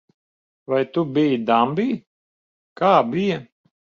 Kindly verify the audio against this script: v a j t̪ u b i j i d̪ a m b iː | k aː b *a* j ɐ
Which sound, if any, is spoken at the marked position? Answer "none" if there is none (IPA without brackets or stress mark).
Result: i